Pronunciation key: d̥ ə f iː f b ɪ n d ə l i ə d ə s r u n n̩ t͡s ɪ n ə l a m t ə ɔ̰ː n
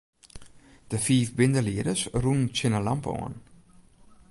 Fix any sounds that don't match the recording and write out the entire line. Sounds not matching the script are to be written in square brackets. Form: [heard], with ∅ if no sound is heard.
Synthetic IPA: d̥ ə f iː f b ɪ n d ə l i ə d ə s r u n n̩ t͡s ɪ n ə l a m [p] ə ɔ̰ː n

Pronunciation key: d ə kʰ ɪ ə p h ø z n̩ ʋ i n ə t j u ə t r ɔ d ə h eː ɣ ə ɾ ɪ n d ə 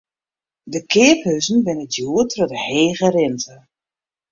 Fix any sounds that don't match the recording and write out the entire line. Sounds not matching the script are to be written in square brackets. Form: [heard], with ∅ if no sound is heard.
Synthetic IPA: d ə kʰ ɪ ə p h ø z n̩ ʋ [ɪ] n ə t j u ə t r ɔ d ə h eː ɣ ə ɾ ɪ n [t] ə

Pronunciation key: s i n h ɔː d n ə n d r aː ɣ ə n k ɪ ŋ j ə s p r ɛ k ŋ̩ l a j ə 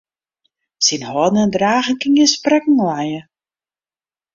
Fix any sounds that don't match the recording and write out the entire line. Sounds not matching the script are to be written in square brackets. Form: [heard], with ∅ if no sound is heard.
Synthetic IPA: s i n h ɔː d n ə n d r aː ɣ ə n k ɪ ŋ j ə s p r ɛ k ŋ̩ l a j ə

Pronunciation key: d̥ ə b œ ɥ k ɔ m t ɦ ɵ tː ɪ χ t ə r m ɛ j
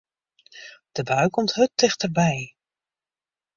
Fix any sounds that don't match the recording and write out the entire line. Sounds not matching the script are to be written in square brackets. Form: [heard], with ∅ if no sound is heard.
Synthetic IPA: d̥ ə b œ ɥ k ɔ m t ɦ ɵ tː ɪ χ t ə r [b] ɛ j

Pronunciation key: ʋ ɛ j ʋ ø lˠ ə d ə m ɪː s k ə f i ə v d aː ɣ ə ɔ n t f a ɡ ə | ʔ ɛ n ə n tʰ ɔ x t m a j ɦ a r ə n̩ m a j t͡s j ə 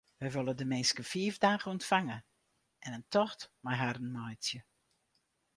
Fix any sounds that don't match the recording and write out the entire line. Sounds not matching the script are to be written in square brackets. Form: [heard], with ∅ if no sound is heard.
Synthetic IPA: ʋ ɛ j ʋ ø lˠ ə d ə m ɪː s k ə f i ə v d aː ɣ ə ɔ n t f a [ŋ] ə | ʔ ɛ n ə n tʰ ɔ x t m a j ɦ a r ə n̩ m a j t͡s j ə

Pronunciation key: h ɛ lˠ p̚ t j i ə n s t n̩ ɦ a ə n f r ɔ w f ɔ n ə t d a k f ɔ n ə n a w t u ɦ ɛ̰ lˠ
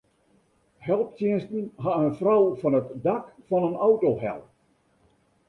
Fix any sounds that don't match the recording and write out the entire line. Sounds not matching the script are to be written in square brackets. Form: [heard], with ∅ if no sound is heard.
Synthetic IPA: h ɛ lˠ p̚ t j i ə n s t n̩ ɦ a ə n f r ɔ w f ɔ n ə t d a k f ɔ n ə n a w t [o] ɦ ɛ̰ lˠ

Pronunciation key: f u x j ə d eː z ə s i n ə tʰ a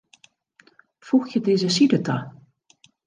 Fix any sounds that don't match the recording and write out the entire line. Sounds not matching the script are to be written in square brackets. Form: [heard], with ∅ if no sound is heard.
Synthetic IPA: f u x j ə d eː z ə s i [d] ə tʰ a

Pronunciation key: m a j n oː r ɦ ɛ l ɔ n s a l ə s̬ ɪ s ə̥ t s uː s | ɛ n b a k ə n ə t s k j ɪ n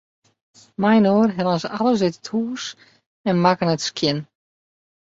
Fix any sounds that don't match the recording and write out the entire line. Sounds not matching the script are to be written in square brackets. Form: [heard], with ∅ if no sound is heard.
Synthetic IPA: m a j n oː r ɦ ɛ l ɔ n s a l ə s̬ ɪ [t] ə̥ t [h] uː s | ɛ n [m] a k ə n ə t s k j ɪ n

